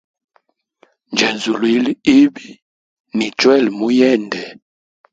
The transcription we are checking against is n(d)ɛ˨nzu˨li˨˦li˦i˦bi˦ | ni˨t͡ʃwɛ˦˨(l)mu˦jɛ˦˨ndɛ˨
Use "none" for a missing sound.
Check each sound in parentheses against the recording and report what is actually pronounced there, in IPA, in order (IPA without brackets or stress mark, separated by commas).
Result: d͡ʒ, l